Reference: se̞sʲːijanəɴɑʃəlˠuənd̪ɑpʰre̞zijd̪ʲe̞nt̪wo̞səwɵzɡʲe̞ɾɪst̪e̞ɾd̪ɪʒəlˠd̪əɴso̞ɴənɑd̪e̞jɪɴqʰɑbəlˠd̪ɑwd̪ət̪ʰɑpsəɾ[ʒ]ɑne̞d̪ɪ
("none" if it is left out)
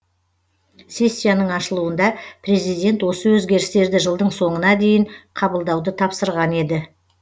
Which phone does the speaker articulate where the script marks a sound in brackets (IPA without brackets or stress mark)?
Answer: ʁ